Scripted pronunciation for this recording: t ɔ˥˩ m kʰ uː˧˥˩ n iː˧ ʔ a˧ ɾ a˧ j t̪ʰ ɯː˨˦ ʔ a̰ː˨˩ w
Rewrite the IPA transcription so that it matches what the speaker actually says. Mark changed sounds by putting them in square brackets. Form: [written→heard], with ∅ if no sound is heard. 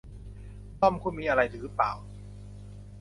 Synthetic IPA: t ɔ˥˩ m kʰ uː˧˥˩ [n→m] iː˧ ʔ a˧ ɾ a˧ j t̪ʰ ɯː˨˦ [ʔ→p] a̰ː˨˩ w

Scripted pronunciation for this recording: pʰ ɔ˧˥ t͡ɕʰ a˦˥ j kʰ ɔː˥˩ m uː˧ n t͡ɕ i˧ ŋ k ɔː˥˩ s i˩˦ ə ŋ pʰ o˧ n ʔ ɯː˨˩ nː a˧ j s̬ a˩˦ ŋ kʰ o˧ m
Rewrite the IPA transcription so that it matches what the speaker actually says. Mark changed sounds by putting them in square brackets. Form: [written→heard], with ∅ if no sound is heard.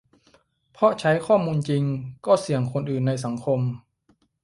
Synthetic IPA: pʰ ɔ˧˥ t͡ɕʰ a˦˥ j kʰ ɔː˥˩ m uː˧ n t͡ɕ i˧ ŋ k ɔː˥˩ s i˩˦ ə ŋ [pʰ→kʰ] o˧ n ʔ ɯː˨˩ nː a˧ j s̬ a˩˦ ŋ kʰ o˧ m

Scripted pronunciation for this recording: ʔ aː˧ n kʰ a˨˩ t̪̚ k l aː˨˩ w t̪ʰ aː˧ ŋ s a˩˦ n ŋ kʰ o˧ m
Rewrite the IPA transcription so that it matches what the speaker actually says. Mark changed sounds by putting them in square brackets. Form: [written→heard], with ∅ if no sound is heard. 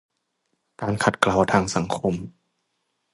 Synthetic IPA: [ʔ→k] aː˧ n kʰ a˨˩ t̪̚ k l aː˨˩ w t̪ʰ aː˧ ŋ s a˩˦ [n→∅] ŋ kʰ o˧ m

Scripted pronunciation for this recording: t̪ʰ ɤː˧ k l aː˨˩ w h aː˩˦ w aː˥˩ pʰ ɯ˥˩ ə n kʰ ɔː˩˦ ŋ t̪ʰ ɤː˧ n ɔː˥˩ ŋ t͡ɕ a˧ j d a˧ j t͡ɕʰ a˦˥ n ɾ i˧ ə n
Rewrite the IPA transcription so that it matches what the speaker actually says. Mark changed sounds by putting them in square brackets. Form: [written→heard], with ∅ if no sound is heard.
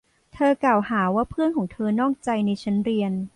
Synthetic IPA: t̪ʰ ɤː˧ k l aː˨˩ w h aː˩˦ w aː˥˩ pʰ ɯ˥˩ ə n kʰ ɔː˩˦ ŋ t̪ʰ ɤː˧ n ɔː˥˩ ŋ t͡ɕ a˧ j [d→n] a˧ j t͡ɕʰ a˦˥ n ɾ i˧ ə n

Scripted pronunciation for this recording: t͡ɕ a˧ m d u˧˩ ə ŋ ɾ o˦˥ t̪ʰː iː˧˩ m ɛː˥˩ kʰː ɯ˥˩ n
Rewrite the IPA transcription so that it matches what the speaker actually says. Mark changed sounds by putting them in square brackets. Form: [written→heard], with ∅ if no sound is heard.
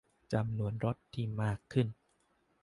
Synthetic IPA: t͡ɕ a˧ m [d→n] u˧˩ ə [ŋ→n] ɾ o˦˥ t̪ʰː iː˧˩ m [ɛː˥˩→aː˥˩] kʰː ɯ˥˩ n

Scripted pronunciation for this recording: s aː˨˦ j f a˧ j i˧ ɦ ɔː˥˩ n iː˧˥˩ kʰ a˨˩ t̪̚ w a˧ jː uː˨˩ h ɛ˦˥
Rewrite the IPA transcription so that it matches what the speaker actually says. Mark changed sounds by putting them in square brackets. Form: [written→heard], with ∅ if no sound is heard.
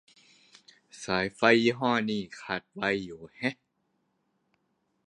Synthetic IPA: s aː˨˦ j f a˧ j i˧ ɦ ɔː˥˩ n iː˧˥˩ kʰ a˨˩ t̪̚ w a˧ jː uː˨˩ h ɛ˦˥

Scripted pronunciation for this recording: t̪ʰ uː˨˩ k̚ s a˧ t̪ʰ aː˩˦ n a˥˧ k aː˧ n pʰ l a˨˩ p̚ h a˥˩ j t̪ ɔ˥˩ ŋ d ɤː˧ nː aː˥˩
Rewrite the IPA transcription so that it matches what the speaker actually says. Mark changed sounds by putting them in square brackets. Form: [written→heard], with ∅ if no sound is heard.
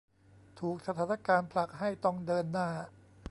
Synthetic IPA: t̪ʰ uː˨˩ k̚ s a˧ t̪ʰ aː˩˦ n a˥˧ k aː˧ n pʰ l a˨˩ [p̚→k̚] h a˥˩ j t̪ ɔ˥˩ ŋ d ɤː˧ nː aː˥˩

